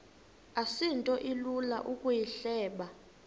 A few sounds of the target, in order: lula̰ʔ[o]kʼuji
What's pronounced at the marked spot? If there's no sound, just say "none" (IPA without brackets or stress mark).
u